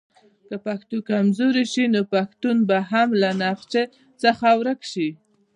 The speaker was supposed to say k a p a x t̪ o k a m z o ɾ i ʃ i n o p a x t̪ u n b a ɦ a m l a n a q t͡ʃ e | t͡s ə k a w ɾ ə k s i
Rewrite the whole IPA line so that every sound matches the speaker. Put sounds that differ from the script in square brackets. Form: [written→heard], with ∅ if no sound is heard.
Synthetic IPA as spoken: k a p a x t̪ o k a m z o ɾ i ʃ i n o p a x t̪ u n b a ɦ a m l a n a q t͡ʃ e | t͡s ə [k→x] a w ɾ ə k [s→ʃ] i